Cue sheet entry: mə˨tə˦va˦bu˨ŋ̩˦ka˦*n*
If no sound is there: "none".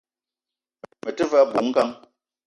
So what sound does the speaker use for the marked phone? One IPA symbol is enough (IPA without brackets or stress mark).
ŋ